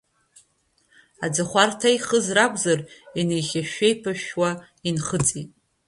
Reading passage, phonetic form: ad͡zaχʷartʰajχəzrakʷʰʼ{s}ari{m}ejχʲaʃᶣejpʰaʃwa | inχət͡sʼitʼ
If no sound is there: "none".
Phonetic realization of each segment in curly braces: z, n

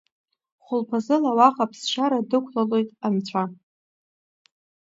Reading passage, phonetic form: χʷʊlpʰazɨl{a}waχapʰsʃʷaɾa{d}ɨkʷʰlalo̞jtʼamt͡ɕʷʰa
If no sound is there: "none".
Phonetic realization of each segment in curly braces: a, d

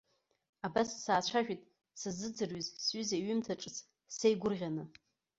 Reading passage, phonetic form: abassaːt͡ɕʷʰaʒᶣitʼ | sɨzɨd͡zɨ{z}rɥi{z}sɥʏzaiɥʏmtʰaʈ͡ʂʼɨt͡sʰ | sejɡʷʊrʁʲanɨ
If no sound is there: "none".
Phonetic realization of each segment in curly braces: none, z

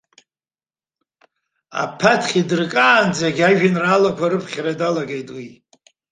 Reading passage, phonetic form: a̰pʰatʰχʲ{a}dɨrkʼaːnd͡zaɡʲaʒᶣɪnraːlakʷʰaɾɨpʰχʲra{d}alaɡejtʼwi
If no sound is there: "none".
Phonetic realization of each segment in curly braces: i, d

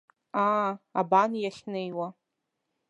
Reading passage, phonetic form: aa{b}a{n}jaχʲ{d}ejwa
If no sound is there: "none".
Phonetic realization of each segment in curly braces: b, n, n

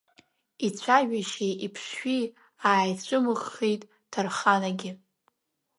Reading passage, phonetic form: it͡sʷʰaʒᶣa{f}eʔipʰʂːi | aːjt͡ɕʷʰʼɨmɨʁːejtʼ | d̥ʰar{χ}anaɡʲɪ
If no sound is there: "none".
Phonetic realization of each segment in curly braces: ʃ, χ

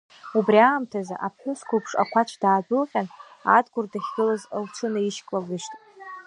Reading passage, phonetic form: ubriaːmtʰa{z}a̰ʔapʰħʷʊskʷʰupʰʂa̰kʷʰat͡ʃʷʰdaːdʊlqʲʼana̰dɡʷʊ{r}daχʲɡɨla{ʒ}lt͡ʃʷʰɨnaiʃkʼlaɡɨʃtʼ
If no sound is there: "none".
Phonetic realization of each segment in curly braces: z, r, z

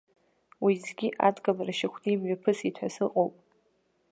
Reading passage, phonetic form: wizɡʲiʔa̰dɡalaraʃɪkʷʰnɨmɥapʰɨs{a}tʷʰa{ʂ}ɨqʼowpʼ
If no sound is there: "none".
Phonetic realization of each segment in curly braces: i, s

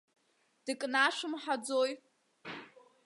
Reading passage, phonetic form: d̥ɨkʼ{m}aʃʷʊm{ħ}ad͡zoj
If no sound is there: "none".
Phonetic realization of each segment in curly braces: n, ħ

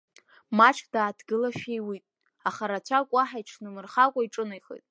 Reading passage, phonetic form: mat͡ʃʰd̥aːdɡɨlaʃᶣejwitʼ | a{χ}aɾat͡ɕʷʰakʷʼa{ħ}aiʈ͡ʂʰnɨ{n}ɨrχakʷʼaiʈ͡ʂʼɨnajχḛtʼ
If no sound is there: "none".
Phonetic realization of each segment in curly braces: χ, ħ, m

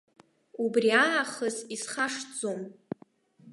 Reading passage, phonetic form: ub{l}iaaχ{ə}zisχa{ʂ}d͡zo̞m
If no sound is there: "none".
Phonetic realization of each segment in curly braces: r, ə, ʂ

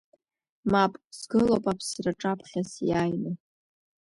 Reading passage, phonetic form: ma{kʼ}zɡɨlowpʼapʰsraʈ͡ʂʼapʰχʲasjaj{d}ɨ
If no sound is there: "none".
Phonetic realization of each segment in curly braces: pʼ, n

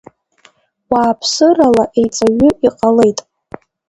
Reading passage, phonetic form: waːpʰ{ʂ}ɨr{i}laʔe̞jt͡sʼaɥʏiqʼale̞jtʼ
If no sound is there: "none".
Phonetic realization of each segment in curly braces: s, a

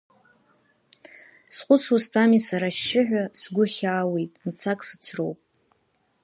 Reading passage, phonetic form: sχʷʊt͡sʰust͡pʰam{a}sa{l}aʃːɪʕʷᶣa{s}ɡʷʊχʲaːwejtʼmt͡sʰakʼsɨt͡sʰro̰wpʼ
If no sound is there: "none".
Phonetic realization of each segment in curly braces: i, ɾ, s

